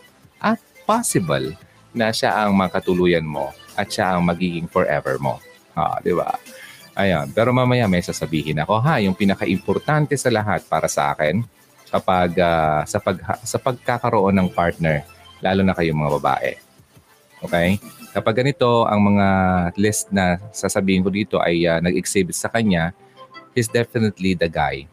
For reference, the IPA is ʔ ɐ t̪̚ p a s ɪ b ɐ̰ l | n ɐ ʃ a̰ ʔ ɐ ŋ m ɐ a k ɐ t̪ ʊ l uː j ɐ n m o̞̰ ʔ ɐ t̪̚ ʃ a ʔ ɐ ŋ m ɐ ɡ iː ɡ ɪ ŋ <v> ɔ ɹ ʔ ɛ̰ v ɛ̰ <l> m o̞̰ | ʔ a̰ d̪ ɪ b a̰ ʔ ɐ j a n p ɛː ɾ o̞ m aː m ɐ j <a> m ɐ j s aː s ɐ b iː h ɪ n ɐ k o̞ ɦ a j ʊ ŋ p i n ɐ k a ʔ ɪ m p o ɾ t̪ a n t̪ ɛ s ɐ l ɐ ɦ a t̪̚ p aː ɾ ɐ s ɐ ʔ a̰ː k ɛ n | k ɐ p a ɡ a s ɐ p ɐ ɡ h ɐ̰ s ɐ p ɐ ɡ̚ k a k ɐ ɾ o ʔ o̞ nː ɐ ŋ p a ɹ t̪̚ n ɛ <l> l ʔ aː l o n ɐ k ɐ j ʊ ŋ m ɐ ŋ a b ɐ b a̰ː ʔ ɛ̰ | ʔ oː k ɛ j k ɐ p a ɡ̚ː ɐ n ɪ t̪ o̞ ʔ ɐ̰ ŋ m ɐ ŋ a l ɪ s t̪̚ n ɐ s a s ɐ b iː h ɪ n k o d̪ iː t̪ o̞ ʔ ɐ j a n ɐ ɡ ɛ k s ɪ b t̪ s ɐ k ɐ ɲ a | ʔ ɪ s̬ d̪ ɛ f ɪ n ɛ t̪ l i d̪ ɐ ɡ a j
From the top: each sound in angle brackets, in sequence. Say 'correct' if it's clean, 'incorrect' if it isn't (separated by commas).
incorrect, incorrect, correct, incorrect